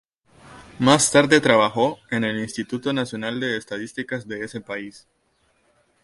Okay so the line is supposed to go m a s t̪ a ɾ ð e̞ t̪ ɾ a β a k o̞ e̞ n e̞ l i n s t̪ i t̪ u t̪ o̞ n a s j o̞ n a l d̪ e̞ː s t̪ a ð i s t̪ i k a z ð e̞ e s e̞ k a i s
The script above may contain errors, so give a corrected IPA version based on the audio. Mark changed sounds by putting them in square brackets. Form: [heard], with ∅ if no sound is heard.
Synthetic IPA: m a s t̪ a ɾ ð e̞ t̪ ɾ a β a [x] o̞ e̞ n e̞ l i n s t̪ i t̪ u t̪ o̞ n a s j o̞ n a l d̪ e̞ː s t̪ a ð i s t̪ i k a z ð e̞ e s e̞ [p] a i s